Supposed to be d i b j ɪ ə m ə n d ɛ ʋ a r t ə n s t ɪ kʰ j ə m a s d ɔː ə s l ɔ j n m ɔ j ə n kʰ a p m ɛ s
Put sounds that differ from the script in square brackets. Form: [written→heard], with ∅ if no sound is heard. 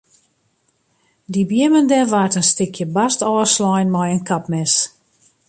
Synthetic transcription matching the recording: d i b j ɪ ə m ə n d ɛ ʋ a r t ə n s t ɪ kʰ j ə [m→b] a s [d→t] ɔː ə s l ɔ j n m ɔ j ə n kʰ a p m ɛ s